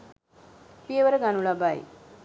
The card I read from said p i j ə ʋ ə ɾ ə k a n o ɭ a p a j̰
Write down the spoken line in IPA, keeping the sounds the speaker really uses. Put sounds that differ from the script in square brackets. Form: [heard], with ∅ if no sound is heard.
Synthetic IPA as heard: p i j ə ʋ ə ɾ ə [ɡ] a n [u] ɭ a [b] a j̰